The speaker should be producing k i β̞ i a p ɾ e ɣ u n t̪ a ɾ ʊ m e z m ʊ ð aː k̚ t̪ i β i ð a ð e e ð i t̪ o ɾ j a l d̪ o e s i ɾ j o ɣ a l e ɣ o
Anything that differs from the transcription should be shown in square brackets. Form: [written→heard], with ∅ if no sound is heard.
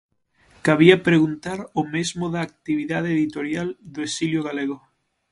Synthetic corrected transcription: k [i→a] β̞ i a p ɾ e ɣ u n t̪ a ɾ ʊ m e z m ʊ ð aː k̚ t̪ i β i ð a ð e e ð i t̪ o ɾ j a l d̪ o e s i [ɾ→l] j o ɣ a l e ɣ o